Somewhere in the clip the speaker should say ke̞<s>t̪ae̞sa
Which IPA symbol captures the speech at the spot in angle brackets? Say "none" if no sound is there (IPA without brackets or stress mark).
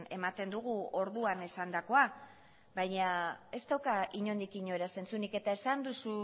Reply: none